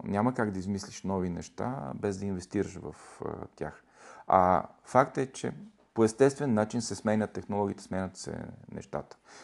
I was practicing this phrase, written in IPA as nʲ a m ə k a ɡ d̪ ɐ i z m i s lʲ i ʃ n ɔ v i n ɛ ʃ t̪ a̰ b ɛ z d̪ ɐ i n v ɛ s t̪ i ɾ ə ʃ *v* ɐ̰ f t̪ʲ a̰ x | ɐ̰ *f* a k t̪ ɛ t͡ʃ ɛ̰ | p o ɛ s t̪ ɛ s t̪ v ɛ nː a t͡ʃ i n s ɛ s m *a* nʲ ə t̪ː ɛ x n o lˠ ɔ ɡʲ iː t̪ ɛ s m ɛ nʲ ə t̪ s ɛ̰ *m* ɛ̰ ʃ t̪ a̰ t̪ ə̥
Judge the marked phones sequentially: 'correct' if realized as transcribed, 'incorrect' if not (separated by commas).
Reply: correct, correct, incorrect, incorrect